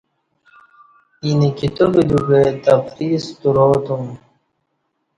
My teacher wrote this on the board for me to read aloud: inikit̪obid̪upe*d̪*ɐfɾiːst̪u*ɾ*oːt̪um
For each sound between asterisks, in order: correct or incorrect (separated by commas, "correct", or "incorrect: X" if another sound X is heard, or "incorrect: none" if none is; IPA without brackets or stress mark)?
incorrect: t̪, correct